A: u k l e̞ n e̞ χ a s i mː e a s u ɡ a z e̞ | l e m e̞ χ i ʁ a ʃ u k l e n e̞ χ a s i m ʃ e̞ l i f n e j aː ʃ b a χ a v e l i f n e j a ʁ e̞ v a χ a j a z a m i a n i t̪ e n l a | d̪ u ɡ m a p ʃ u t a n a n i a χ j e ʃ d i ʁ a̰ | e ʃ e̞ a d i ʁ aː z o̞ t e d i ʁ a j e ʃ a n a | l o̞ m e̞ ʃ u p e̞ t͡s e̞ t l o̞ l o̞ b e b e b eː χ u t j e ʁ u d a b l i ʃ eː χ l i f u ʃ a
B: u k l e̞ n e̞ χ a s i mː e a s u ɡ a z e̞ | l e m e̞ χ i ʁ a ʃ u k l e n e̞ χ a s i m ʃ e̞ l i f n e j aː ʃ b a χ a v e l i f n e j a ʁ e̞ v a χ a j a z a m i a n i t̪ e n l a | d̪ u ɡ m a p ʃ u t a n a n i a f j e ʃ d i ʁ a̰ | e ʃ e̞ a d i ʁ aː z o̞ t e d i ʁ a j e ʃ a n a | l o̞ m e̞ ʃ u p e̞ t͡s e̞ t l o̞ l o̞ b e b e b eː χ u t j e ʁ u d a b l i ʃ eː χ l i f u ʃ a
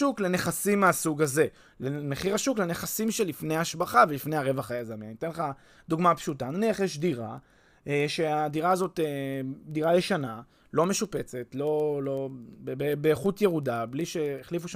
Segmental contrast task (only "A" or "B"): A